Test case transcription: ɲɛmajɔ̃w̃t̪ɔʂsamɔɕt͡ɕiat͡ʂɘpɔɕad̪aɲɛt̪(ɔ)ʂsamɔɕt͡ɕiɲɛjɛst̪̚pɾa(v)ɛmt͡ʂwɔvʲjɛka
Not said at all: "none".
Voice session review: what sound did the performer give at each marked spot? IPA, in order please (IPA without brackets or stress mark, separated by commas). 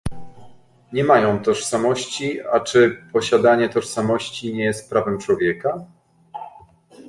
ɔ, v